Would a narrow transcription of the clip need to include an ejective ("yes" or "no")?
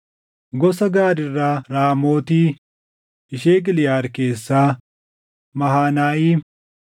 no